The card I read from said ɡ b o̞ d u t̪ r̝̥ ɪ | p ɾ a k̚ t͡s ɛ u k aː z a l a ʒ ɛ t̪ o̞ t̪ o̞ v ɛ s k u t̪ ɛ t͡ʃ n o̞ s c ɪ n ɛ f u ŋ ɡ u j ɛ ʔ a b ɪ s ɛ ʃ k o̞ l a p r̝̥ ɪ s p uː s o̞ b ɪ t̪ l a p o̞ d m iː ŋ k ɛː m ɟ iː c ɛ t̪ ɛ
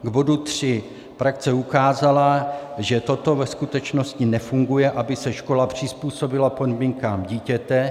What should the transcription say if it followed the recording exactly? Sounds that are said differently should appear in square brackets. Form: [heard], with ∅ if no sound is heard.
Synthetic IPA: ɡ b o̞ d u t̪ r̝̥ ɪ | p ɾ a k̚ t͡s ɛ u k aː z a l a ʒ ɛ t̪ o̞ t̪ o̞ v ɛ s k u t̪ ɛ t͡ʃ n o̞ s c ɪ n ɛ f u ŋ ɡ u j ɛ ʔ a b ɪ s ɛ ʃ k o̞ l a p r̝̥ ɪ s p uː s o̞ b ɪ [∅] l a p o̞ d m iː ŋ k [aː] m ɟ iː c ɛ t̪ ɛ